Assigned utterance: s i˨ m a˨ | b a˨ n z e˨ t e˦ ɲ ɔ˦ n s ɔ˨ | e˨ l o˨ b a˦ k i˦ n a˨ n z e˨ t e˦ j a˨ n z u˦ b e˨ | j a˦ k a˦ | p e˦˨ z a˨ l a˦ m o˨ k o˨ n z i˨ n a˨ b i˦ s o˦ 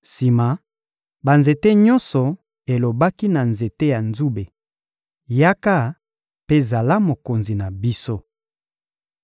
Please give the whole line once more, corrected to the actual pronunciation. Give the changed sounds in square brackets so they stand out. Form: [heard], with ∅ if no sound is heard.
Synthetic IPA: s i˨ m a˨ | b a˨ n z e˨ t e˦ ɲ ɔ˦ n s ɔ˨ | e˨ l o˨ b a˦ k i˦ n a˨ n z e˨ t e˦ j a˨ n z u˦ b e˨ | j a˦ k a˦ | p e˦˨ z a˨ l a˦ m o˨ k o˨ n z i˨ n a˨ b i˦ s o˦